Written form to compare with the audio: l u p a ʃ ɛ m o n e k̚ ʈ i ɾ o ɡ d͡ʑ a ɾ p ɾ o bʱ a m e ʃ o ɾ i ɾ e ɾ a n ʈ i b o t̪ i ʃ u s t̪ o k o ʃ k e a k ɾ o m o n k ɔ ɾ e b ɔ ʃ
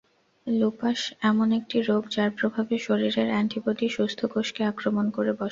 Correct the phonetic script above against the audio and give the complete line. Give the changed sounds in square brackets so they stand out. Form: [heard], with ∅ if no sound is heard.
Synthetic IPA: l u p a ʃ ɛ m o n e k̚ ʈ i ɾ o ɡ d͡ʑ a ɾ p ɾ o bʱ a [b] e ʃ o ɾ i ɾ e ɾ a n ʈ i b o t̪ i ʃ u s [t̪ʰ] o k o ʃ k e a k ɾ o m o n k [o] ɾ e b ɔ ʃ

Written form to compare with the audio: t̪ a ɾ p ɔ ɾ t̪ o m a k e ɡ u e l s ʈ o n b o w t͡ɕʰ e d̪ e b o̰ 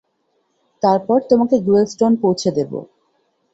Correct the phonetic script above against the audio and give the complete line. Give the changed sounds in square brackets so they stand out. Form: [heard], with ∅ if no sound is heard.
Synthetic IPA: t̪ a ɾ p ɔ ɾ t̪ o m a k e ɡ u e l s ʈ o n [p] o w t͡ɕʰ e d̪ e b o̰

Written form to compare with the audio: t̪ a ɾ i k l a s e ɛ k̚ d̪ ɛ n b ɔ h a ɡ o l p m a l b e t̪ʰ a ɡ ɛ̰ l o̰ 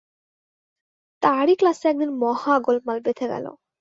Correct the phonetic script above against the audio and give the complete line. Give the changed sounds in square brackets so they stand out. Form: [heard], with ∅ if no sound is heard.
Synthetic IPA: t̪ a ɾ i k l a s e ɛ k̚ d̪ [i] n [m] ɔ h a ɡ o l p m a l b e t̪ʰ [e] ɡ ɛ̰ l o̰

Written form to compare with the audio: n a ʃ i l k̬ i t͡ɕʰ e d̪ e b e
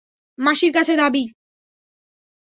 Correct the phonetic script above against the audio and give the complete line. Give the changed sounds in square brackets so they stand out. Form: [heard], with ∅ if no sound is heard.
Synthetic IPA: [m] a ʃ i [ɾ] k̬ [a] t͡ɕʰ e d̪ [a] b [i]

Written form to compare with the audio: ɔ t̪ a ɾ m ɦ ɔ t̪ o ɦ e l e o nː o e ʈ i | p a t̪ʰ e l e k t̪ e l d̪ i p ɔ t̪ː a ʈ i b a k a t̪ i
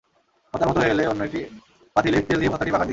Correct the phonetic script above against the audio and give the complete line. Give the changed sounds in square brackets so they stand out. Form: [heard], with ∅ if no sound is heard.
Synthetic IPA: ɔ t̪ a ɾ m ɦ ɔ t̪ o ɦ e l e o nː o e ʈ i | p a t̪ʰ [i] l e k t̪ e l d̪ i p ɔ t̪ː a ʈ i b a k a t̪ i

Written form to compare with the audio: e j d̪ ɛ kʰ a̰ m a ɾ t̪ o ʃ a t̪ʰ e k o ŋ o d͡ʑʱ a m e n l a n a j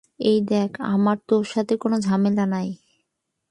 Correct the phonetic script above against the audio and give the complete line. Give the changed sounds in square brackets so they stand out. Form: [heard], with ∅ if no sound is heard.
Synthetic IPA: e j d̪ ɛ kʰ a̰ m a ɾ t̪ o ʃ a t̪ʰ e k o [n] o d͡ʑʱ a m e [∅] l a n a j

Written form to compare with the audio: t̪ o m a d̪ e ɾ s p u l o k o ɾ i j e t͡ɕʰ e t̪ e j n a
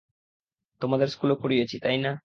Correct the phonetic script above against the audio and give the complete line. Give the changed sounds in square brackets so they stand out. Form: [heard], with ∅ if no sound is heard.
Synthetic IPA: t̪ o m a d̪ e ɾ s [k] u l o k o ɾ i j e t͡ɕʰ [i] t̪ [a] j n a

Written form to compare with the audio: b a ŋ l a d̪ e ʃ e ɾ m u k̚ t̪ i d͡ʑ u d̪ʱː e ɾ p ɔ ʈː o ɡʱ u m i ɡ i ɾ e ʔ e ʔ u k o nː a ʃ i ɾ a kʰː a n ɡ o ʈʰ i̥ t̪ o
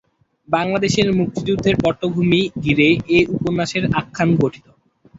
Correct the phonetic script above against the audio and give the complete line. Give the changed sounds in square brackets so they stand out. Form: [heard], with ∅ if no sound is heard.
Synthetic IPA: b a ŋ l a d̪ e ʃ e ɾ m u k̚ t̪ i d͡ʑ u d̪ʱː e ɾ p ɔ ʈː o ɡʱ u m i ɡ i ɾ e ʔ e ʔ u [p] o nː a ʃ [e] ɾ a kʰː a n ɡ o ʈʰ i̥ t̪ o

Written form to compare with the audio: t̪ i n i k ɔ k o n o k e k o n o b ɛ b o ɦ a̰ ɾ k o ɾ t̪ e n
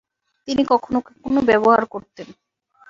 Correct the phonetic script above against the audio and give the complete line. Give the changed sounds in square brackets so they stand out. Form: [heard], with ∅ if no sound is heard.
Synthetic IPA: t̪ i n i k ɔ [kʰ] o n o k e k o n o b ɛ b o ɦ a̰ ɾ k o ɾ t̪ e n

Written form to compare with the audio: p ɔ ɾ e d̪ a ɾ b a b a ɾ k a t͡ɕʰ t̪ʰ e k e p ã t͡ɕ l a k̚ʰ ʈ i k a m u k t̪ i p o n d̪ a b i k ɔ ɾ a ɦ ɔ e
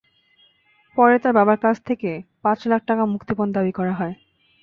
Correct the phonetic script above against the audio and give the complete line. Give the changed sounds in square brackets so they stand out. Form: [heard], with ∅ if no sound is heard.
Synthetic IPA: p ɔ ɾ e [t̪] a ɾ b a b a ɾ k a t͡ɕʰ t̪ʰ e k e p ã t͡ɕ l a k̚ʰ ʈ [a] k a m u k t̪ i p o n d̪ a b i k ɔ ɾ a ɦ ɔ e

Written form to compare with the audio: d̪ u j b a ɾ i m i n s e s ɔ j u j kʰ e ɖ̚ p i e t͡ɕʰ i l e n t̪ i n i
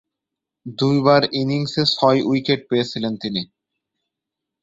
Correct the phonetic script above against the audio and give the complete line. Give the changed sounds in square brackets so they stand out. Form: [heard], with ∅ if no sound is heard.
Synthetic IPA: d̪ u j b a ɾ i [n] i [ŋ] s e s ɔ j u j [k] e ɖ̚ p [e] e t͡ɕʰ i l e n t̪ i n i

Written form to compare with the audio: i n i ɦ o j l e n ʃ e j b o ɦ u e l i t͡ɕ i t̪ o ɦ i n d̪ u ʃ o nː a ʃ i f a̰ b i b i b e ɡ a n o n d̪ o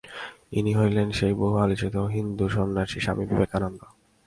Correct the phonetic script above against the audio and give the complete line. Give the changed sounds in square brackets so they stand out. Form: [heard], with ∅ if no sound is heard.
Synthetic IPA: i n i ɦ o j l e n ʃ e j b o ɦ u [a] l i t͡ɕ i t̪ o ɦ i n d̪ u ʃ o nː a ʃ i [ʃ] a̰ [m] i b i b e [k] a n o n d̪ o

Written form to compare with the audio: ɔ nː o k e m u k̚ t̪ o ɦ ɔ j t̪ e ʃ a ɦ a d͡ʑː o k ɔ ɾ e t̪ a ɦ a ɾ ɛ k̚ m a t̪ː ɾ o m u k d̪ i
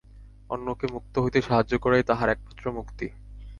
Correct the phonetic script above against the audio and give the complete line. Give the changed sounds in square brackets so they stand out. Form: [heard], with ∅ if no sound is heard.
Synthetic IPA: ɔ nː o k e m u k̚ t̪ o ɦ [o] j t̪ e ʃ a ɦ a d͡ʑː o k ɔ ɾ e t̪ a ɦ a ɾ ɛ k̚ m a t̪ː ɾ o m u k [t̪] i

